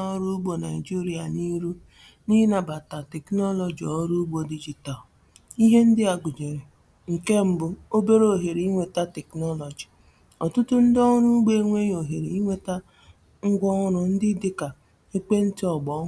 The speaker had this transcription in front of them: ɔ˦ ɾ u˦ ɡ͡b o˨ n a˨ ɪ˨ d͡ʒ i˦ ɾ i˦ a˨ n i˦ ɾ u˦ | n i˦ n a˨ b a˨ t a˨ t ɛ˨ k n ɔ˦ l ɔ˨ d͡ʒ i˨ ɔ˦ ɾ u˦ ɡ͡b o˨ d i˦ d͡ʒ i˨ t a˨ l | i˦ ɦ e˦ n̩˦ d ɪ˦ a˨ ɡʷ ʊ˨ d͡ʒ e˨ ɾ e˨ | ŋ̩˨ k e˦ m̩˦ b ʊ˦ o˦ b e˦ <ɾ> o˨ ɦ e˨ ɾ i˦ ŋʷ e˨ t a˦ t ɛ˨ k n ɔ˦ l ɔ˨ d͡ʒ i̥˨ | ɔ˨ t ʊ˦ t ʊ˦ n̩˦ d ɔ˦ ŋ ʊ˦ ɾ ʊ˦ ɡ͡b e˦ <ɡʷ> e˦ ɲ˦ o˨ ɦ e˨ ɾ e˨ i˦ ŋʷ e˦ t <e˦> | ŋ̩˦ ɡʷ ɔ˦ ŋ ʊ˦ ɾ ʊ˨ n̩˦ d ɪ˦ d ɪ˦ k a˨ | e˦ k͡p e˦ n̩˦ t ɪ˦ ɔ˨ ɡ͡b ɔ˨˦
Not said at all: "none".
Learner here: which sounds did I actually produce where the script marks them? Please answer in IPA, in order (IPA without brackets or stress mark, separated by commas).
ɾ, ŋʷ, a˦